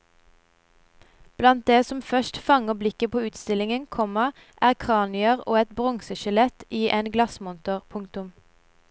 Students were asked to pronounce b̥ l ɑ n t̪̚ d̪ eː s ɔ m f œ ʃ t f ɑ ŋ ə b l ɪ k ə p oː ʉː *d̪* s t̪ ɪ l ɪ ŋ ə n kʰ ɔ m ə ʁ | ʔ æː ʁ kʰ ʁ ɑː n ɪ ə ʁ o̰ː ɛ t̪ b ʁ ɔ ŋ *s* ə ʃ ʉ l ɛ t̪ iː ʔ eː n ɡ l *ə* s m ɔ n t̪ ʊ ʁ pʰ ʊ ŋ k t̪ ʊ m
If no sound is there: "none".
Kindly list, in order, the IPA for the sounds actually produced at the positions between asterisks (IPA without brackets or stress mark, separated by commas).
t̪, s, ɑ